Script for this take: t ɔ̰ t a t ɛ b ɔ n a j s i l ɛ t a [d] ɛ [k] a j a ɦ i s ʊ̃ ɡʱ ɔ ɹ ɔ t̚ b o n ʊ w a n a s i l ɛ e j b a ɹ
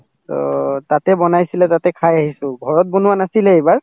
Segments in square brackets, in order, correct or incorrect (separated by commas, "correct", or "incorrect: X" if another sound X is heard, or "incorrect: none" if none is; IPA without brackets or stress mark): incorrect: t, incorrect: kʰ